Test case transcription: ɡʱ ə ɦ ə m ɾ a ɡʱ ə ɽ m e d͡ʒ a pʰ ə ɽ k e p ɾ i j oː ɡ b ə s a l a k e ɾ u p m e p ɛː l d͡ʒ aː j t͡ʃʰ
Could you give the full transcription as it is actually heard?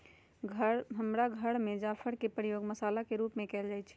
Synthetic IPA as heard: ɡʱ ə ɦ ə m ɾ a ɡʱ ə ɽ m e d͡ʒ a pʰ ə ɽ k e p ɾ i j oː ɡ m ə s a l a k e ɾ u p m e k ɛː l d͡ʒ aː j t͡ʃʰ